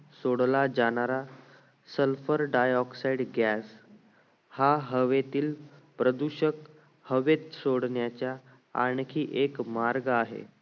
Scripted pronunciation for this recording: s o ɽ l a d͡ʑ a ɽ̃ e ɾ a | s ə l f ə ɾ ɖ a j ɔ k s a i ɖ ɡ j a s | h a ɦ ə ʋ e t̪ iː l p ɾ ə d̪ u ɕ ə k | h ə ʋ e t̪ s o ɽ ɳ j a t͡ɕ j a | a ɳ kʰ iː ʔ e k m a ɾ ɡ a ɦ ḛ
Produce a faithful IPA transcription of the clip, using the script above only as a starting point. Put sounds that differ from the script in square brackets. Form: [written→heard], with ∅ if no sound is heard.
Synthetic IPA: s o ɽ l a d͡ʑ a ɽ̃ [e→a] ɾ a | s ə l f ə ɾ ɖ a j ɔ k s a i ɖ ɡ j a s | h a ɦ ə ʋ e t̪ iː l p ɾ ə d̪ u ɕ ə k | h ə ʋ e t̪ s o ɽ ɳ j a t͡ɕ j a | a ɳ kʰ iː ʔ e k m a ɾ ɡ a ɦ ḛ